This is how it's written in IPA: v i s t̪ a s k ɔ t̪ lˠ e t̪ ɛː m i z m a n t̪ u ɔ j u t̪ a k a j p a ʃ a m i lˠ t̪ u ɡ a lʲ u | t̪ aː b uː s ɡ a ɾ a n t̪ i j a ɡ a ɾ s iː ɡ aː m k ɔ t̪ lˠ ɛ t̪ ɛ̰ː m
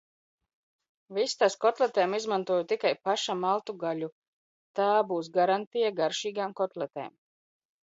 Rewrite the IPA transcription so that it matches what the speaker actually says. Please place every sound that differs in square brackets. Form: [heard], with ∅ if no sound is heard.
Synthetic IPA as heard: v i s t̪ a s k ɔ t̪ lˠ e t̪ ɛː m i z m a n t̪ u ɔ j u t̪ [i] k a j p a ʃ a m [a] lˠ t̪ u ɡ a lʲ u | t̪ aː b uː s ɡ a ɾ a n t̪ i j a ɡ a ɾ [ʃ] iː ɡ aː m k ɔ t̪ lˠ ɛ t̪ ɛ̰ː m